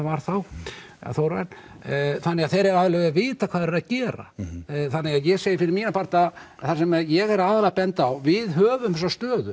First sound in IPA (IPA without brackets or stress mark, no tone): v